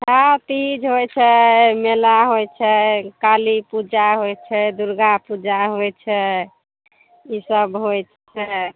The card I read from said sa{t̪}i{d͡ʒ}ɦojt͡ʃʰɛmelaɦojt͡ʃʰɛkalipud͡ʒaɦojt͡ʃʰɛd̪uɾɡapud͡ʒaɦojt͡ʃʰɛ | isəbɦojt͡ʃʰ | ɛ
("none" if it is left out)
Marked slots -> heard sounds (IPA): t̪, d͡ʒ

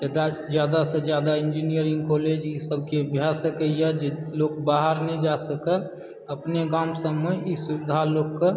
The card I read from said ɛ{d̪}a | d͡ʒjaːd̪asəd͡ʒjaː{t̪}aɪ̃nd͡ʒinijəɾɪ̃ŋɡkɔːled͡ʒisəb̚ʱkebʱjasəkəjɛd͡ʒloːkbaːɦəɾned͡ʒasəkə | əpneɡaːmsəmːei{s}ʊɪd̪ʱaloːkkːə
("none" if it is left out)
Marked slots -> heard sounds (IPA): d̪, d̪, s

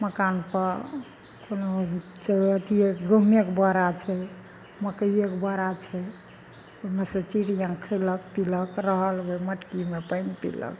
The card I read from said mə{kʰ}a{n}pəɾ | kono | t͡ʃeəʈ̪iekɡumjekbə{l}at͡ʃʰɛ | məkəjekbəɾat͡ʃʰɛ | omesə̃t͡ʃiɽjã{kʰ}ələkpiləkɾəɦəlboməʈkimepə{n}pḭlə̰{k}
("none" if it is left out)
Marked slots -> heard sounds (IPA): k, n, ɾ, kʰ, n, k

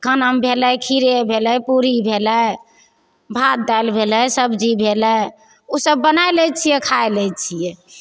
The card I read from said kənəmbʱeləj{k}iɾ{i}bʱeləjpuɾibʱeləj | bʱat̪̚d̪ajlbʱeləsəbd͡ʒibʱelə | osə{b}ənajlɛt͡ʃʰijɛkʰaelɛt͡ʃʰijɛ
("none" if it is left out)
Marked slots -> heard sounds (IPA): kʰ, e, bː

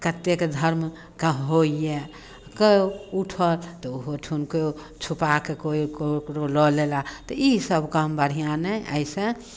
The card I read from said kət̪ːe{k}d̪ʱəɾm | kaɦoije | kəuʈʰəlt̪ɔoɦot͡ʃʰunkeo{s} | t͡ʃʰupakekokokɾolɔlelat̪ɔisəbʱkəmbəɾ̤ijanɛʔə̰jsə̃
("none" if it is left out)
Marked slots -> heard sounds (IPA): k, none

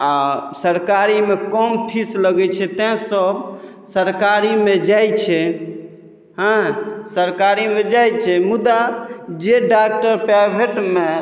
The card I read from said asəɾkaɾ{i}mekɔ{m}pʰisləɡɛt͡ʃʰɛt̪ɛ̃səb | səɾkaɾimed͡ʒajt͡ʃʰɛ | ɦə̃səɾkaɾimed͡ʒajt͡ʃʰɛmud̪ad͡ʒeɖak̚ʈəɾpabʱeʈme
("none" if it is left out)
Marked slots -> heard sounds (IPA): i, m

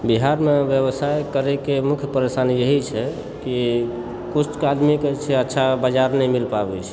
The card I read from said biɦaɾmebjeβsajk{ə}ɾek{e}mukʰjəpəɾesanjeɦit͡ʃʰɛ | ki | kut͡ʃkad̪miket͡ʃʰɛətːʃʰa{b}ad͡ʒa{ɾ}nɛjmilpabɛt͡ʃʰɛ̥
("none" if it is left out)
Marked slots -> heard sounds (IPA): ə, e, b, ɾ

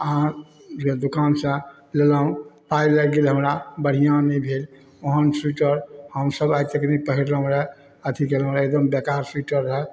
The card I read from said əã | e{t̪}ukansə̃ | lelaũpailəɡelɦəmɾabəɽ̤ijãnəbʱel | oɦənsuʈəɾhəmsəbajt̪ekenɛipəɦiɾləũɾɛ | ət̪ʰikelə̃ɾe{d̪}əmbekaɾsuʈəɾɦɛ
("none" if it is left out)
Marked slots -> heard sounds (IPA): d̪, d̪

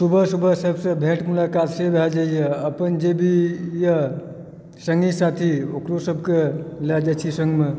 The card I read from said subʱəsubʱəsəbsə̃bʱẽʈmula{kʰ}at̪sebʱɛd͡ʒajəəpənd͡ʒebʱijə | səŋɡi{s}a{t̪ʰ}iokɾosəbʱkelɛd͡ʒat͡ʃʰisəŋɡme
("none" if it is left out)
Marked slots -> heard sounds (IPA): k, s, t̪ʰ

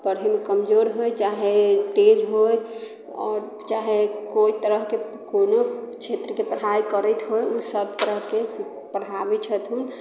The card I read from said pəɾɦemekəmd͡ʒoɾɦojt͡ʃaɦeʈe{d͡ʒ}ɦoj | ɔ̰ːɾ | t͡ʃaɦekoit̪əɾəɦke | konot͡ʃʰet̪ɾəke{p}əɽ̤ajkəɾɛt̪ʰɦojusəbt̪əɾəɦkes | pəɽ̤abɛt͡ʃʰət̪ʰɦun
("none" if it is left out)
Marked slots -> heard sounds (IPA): d͡ʒ, p

